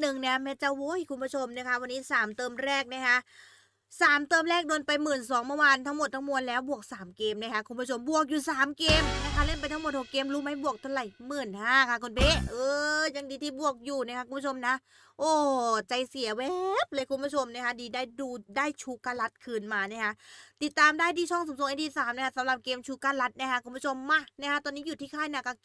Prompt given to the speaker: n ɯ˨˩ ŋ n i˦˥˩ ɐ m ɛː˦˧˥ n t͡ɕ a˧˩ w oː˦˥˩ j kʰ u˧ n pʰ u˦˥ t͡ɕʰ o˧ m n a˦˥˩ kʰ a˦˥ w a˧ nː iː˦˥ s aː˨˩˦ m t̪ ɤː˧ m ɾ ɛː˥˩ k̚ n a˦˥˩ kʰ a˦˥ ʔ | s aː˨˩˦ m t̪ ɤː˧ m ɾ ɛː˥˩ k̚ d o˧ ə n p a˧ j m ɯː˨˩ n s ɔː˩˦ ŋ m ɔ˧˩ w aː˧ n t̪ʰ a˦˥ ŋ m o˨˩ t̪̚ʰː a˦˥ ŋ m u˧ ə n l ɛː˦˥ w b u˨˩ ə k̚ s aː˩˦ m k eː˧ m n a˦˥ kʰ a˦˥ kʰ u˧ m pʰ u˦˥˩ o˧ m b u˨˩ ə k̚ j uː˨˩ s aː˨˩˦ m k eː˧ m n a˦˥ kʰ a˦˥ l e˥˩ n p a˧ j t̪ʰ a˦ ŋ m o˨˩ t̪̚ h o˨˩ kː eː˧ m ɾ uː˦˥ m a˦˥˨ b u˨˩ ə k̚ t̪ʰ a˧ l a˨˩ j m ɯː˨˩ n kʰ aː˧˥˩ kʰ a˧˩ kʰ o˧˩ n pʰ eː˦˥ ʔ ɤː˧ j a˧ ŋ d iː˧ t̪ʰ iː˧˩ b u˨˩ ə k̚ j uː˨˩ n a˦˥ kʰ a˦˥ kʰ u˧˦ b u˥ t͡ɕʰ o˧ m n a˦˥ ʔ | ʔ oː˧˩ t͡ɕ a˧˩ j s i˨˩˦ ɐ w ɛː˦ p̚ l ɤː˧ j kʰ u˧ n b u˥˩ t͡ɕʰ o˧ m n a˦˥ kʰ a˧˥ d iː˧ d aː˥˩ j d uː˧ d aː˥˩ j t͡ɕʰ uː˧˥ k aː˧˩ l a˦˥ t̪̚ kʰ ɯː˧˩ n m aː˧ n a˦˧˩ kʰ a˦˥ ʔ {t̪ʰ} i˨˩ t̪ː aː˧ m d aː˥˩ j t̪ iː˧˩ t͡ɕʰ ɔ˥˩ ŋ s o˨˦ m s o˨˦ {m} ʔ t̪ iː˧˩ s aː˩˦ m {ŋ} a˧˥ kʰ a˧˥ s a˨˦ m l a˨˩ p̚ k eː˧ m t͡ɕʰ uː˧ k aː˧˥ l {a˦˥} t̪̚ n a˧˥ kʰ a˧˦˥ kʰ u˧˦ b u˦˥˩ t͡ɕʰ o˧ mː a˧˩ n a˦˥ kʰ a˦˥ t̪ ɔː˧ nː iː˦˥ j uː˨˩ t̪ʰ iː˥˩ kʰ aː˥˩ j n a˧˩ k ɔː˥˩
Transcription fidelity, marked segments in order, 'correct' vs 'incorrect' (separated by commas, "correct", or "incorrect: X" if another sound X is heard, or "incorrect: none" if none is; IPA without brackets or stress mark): incorrect: t̪, incorrect: ŋ, incorrect: n, correct